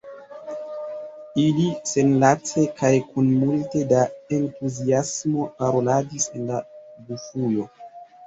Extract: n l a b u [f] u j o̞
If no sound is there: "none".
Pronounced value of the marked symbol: f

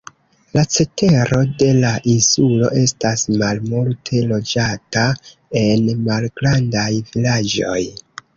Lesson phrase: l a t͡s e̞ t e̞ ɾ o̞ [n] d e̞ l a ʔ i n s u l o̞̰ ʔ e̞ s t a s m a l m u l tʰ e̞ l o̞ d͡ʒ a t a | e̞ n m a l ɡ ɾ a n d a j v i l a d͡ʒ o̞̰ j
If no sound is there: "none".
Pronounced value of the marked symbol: none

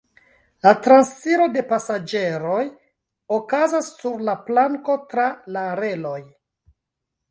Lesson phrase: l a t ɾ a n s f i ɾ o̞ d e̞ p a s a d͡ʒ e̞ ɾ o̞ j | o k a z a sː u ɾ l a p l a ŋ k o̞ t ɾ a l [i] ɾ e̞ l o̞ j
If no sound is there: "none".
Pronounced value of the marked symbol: a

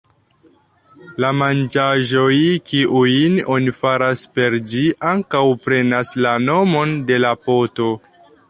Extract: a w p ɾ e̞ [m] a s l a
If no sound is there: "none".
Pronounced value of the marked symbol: n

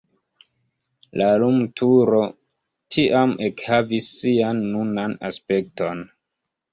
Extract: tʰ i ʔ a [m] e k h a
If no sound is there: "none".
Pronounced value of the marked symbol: m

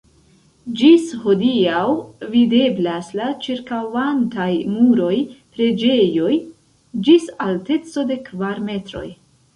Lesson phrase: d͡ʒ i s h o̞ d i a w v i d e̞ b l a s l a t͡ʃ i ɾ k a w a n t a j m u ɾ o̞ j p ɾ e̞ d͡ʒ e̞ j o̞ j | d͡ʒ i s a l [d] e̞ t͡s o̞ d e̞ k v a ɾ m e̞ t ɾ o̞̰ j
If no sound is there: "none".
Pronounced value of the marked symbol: t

